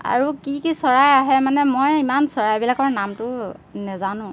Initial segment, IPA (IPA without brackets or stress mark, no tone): a̰